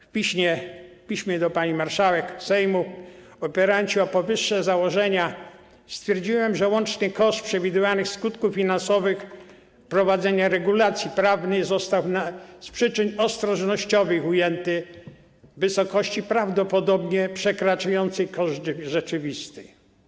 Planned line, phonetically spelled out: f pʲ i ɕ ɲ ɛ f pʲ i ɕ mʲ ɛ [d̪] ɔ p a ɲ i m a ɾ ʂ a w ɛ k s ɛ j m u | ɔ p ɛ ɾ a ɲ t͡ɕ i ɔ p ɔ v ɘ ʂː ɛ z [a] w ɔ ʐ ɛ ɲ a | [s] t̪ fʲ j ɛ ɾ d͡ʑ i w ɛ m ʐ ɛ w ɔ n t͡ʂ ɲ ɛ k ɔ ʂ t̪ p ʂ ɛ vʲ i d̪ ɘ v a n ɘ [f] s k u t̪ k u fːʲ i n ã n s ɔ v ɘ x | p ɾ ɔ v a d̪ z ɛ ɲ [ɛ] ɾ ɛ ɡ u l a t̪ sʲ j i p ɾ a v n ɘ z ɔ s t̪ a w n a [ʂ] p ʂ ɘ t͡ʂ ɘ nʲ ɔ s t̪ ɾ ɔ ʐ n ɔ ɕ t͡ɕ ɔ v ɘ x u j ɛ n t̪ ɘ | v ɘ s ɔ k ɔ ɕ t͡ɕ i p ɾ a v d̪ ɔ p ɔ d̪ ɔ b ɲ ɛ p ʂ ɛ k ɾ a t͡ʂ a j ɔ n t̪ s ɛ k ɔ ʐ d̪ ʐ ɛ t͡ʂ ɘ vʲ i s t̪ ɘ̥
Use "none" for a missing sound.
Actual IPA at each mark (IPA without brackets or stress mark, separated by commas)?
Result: d̪, a, s, x, a, s